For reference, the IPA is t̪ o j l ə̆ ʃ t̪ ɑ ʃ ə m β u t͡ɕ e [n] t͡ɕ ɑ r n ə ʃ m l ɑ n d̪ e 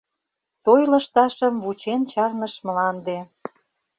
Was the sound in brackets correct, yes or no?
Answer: yes